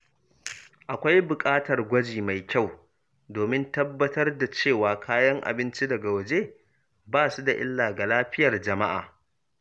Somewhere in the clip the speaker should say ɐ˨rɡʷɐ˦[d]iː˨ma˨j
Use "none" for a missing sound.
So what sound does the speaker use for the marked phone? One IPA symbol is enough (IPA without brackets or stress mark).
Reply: d͡ʒ